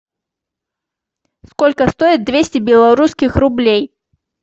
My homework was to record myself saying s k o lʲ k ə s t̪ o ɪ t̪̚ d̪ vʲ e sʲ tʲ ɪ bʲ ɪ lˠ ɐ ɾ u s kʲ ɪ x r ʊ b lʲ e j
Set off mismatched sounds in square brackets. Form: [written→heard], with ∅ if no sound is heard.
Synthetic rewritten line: s k o lʲ k ə s t̪ o ɪ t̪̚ d̪ vʲ e sʲ tʲ ɪ bʲ ɪ lˠ ɐ ɾ u s kʲ ɪ x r ʊ b lʲ e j